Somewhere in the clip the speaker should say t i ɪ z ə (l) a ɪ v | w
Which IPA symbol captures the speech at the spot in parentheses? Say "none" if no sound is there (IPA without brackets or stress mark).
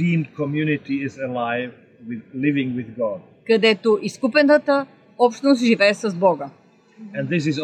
l